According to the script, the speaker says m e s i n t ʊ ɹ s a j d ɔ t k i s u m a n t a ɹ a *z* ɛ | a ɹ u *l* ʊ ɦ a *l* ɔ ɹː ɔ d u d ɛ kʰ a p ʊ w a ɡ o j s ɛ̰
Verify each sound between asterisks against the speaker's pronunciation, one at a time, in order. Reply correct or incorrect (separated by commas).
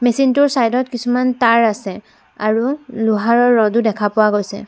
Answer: incorrect, correct, incorrect